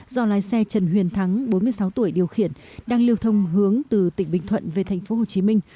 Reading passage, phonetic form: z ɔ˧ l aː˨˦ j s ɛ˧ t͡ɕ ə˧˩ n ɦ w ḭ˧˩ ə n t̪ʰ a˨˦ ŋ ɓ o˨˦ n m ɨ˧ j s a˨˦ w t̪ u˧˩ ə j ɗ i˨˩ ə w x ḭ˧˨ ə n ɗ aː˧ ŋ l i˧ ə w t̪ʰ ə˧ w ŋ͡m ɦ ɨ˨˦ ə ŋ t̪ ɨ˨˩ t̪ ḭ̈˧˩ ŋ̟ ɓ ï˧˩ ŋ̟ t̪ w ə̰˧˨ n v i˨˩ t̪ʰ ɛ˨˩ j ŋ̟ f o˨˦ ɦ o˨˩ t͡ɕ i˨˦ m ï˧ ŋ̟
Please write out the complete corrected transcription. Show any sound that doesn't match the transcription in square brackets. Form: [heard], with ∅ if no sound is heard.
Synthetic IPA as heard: z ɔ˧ l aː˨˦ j s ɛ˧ t͡ɕ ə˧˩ n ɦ w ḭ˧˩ ə n t̪ʰ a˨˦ ŋ ɓ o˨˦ n m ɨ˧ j s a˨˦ w t̪ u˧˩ ə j ɗ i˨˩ ə w x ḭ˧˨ ə n ɗ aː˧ ŋ l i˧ ə w t̪ʰ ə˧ w ŋ͡m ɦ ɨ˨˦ ə ŋ t̪ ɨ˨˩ t̪ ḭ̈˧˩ ŋ̟ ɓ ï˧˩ ŋ̟ [t̪ʰ] w ə̰˧˨ n v [e˨˩] t̪ʰ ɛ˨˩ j ŋ̟ f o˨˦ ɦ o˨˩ t͡ɕ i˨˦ m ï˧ ŋ̟